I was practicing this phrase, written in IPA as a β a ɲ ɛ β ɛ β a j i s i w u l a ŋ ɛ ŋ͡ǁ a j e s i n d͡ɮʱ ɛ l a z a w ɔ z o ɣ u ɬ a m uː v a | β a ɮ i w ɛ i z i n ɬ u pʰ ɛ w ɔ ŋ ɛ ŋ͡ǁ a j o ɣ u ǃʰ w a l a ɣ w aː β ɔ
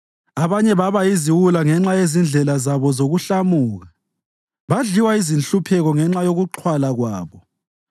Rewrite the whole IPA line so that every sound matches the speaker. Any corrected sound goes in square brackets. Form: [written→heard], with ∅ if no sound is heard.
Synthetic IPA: a β a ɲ ɛ β [ɛ→a] β a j i [s→z] i w u l a ŋ ɛ ŋ͡ǁ a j e [s→z] i n d͡ɮʱ ɛ l a z a [w→β] ɔ z o ɣ u ɬ a m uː [v→ɣ] a | β a ɮ i w [ɛ→a] i z i n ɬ u pʰ ɛ [w→ɣ] ɔ ŋ ɛ ŋ͡ǁ a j o ɣ u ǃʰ w a l a ɣ w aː β ɔ